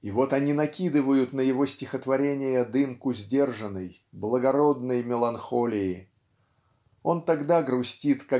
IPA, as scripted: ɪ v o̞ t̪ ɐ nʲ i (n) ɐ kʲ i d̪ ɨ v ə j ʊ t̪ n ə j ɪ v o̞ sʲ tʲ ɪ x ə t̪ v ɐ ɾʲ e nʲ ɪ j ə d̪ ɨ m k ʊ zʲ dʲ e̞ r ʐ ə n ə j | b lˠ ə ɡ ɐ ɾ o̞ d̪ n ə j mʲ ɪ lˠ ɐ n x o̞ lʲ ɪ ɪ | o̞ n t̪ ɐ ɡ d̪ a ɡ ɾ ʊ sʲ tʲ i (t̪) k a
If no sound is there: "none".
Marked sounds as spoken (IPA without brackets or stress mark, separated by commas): n, t̪